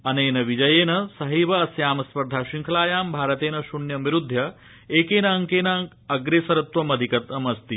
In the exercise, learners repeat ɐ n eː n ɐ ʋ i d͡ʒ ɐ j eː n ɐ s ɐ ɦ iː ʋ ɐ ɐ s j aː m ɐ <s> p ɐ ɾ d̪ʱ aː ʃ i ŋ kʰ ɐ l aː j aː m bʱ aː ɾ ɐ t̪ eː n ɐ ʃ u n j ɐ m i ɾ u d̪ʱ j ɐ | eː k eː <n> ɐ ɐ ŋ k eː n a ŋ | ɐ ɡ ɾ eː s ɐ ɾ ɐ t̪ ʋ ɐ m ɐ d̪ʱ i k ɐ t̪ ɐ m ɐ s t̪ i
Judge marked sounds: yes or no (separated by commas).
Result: yes, yes